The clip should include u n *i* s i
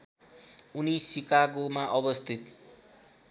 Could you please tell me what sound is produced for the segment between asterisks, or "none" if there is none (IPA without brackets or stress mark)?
i